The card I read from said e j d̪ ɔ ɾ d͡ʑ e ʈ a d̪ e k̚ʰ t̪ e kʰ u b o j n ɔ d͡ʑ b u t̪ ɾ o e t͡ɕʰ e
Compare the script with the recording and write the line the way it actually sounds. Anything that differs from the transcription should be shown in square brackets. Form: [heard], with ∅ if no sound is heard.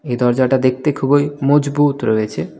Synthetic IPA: e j d̪ ɔ ɾ d͡ʑ [a] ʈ a d̪ e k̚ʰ t̪ e kʰ u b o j [m] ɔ d͡ʑ b u t̪ ɾ o e t͡ɕʰ e